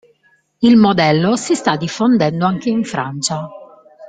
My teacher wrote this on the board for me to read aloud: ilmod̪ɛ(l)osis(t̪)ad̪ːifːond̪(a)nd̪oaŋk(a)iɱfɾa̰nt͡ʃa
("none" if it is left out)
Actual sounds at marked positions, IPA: lː, t̪, ɛ, e

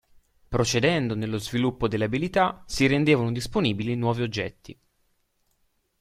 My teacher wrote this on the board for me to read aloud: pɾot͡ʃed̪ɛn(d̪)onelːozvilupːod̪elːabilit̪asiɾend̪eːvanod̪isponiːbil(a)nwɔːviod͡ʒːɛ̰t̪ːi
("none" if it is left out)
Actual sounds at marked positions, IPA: d̪, i

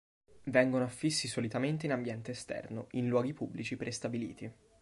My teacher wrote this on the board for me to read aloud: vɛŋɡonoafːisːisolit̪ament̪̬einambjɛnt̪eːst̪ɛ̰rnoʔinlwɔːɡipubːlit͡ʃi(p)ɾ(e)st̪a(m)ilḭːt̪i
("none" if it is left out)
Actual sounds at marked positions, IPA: p, e, b

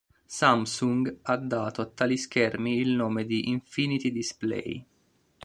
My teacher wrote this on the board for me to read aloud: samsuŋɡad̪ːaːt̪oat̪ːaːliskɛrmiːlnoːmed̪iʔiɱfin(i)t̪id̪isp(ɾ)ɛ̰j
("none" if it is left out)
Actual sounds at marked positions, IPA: i, l

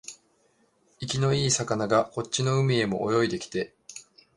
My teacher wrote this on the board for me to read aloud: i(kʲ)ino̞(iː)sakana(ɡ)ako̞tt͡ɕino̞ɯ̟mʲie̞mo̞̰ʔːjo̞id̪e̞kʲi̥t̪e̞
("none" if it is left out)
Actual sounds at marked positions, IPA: kʲ, iː, ɡ

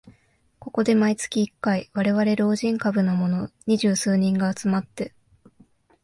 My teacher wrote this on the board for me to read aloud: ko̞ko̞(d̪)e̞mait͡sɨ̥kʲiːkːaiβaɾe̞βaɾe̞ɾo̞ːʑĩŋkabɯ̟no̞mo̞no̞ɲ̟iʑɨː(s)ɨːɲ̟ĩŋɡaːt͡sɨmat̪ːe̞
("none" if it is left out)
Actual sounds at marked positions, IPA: d̪, s

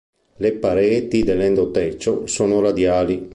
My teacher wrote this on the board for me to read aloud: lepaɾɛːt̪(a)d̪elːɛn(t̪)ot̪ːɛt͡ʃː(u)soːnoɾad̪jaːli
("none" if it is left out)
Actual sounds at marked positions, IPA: i, d̪, o

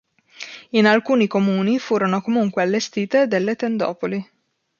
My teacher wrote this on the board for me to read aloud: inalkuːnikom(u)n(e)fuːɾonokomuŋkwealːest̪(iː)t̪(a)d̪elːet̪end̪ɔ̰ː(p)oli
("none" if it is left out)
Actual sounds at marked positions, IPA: uː, i, iː, e, p

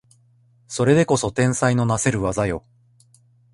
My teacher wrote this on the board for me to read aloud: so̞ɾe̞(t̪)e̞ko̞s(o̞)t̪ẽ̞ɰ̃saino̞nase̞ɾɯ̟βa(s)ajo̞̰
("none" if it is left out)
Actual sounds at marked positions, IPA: d̪, o̞, z

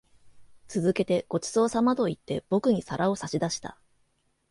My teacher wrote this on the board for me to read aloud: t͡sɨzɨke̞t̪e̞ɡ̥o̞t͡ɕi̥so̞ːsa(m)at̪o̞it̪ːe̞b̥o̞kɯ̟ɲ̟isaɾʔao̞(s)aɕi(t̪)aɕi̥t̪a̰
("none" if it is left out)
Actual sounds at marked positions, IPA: m, s, d̪

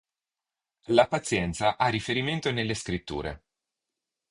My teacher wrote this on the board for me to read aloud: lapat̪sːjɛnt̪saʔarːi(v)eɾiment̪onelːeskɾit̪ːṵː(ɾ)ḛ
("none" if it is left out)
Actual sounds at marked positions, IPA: f, ɾ

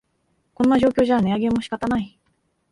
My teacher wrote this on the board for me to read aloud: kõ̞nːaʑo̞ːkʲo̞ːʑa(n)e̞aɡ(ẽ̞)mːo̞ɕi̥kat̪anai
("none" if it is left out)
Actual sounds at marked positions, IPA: n, e̞

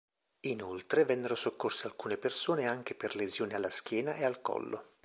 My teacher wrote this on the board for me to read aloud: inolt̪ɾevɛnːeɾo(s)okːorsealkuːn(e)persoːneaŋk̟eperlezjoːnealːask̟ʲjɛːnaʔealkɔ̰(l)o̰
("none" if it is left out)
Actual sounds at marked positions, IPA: s, e, lː

